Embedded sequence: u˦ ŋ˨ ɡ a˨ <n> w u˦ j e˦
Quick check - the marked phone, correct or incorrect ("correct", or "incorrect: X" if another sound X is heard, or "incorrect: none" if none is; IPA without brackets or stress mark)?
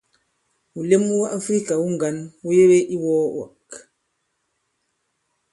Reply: correct